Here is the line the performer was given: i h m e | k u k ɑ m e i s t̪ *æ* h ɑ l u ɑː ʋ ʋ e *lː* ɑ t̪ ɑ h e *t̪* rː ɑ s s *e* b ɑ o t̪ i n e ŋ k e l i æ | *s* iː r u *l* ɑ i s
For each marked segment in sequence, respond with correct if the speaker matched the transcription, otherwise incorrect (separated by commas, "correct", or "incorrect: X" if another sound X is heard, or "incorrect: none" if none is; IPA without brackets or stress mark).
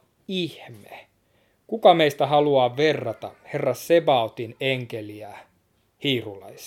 correct, incorrect: rː, incorrect: none, correct, incorrect: h, correct